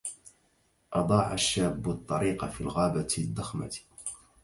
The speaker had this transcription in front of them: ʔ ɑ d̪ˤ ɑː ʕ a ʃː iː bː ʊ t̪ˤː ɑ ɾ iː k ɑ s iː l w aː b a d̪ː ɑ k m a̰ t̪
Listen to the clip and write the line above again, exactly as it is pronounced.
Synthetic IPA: ʔ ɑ d̪ˤ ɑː ʕ a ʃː aː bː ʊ t̪ˤː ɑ ɾ iː q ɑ f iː l ɣ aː b a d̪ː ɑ x m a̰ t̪